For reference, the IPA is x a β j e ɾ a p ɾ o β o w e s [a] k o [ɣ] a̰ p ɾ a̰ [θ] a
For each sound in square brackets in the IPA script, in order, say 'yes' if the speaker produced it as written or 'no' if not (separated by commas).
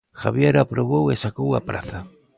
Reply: yes, no, yes